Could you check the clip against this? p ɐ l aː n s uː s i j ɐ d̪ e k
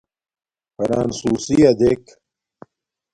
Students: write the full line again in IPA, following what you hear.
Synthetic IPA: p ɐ ɾ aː n s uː s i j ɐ d̪ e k